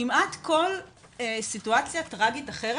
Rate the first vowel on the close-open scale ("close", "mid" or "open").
close